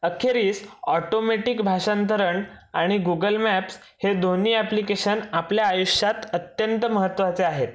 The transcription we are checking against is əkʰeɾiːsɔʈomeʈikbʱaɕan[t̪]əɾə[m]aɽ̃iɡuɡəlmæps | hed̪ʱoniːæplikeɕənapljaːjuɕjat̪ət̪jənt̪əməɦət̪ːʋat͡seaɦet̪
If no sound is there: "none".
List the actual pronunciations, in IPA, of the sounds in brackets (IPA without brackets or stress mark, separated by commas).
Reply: t̪, ɳ